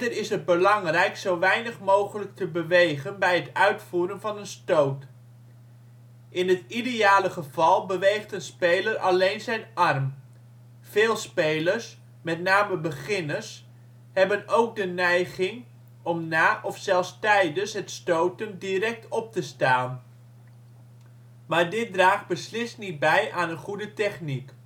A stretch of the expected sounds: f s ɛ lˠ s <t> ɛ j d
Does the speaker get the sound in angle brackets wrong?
no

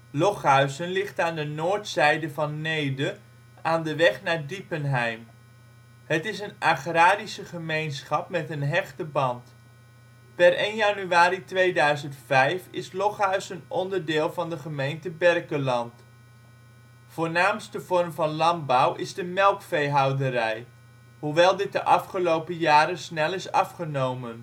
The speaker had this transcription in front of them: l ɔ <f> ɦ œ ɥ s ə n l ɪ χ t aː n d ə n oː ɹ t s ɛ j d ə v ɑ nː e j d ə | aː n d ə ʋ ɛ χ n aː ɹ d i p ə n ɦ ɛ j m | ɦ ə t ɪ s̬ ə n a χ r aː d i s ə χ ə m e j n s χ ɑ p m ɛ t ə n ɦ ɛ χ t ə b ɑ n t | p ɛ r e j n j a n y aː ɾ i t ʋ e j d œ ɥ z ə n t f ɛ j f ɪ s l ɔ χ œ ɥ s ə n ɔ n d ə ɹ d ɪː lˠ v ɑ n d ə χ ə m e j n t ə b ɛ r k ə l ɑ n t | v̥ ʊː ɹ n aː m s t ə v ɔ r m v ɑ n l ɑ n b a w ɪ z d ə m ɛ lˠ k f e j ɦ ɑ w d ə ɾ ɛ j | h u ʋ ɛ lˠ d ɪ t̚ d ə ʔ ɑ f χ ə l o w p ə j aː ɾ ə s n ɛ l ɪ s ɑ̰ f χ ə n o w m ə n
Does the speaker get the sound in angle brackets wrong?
yes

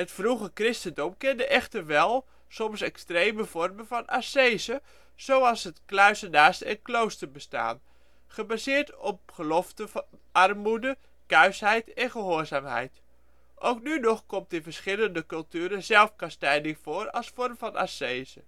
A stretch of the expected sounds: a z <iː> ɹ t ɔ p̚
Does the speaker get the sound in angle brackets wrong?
yes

